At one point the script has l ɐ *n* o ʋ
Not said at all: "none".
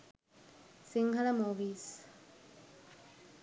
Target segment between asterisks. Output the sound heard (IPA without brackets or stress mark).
m